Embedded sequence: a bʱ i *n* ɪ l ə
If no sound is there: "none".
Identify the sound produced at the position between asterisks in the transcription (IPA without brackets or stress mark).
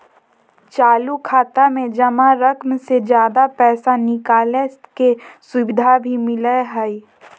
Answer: m